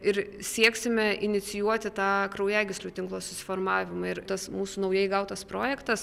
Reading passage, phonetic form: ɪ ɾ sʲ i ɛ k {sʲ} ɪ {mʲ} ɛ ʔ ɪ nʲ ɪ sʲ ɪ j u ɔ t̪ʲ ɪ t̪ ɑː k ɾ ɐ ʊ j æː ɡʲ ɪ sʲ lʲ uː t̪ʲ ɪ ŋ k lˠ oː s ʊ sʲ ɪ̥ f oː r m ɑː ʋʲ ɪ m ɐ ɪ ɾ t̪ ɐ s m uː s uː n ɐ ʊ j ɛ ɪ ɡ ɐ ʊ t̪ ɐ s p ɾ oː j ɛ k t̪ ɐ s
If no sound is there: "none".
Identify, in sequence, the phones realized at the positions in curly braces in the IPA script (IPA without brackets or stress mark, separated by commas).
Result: sʲ, mʲ